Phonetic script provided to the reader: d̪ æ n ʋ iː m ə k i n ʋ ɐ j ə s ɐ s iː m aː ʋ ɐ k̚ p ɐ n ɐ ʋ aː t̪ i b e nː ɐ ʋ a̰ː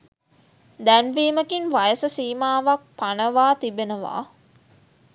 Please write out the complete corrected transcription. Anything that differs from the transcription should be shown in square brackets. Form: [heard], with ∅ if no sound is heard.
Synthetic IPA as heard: d̪ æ n ʋ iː m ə k i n ʋ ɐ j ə s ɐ s iː m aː ʋ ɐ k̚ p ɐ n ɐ ʋ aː t̪ i b e [n] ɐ ʋ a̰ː